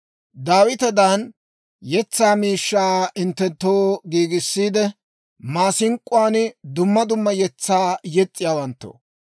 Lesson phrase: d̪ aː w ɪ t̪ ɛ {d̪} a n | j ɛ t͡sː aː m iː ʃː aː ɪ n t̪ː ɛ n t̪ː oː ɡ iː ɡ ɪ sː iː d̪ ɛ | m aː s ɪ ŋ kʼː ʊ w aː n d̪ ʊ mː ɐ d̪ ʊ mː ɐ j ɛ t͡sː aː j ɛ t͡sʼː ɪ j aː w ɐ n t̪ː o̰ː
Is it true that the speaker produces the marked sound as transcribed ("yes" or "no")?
yes